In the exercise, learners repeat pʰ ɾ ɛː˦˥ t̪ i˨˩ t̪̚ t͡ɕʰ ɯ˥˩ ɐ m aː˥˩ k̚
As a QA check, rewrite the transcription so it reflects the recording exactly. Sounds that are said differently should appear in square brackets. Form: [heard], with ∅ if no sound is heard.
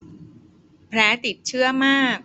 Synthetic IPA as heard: pʰ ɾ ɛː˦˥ t̪ i˨˩ t̪̚ t͡ɕʰ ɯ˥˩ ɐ m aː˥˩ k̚